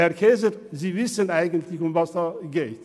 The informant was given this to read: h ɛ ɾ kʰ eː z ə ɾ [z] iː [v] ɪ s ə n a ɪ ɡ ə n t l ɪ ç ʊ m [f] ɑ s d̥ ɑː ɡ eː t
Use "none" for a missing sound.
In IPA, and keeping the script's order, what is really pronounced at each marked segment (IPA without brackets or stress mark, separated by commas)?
z, v, v